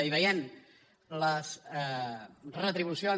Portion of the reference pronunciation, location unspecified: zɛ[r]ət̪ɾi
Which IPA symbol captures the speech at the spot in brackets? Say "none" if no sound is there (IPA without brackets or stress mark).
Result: r